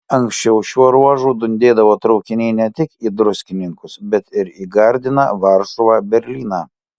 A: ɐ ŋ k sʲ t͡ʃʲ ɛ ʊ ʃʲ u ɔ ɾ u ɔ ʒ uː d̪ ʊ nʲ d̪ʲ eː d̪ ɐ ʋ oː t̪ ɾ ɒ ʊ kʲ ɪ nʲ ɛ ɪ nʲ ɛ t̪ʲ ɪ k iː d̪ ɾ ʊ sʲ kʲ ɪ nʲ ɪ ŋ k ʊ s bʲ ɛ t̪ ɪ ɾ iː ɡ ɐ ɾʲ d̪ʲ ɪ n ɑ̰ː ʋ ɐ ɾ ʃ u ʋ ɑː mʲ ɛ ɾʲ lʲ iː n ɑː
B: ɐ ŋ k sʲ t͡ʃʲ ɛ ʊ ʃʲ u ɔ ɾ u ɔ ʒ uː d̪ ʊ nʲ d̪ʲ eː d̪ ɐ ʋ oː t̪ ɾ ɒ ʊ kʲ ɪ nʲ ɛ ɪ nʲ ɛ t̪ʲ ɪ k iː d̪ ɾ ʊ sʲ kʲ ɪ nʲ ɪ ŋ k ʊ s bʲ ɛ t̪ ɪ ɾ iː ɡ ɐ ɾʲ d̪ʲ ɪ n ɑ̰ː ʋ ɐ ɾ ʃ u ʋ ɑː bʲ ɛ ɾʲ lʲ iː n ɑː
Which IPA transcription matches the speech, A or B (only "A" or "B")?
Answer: B